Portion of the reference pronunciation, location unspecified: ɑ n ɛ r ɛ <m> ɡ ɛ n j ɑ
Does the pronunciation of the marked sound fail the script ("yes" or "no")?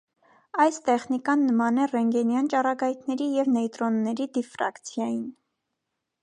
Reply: yes